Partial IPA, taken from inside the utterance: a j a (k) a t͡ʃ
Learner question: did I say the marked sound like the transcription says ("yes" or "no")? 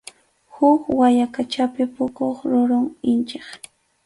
yes